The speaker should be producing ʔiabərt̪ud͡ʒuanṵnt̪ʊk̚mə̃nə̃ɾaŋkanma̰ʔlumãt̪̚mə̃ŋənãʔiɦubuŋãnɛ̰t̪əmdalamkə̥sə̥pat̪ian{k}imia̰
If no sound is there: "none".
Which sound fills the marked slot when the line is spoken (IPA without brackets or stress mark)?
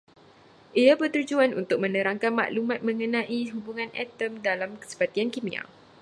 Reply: k